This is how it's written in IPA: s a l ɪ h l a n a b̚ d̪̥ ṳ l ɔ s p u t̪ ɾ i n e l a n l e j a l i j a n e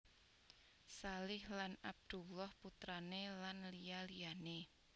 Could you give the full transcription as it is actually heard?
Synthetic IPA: s a l ɪ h l a n a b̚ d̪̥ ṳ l ɔ h p u t̪ ɾ a n e l a n l i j a l i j a n e